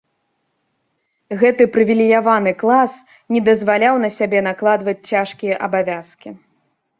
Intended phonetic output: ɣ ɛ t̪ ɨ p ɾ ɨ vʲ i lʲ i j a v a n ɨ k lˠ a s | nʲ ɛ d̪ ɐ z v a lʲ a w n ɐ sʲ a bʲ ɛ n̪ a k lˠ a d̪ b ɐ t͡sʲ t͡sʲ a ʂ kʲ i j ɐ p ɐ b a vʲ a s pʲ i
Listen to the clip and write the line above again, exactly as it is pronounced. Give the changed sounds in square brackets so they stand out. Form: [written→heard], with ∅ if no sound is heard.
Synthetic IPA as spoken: ɣ ɛ t̪ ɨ p ɾ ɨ vʲ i lʲ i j a v a n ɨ k lˠ a s | nʲ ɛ d̪ ɐ z v a lʲ a w n ɐ sʲ a bʲ ɛ n̪ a k lˠ a d̪ [b→v] ɐ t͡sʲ t͡sʲ a ʂ kʲ i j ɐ [p→ʔ] ɐ b a vʲ a s [pʲ→kʲ] i